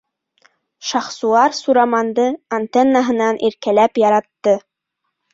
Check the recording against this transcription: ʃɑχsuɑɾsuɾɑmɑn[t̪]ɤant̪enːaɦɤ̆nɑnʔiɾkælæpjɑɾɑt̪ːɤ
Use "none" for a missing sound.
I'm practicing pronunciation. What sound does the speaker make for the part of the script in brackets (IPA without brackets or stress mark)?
d̪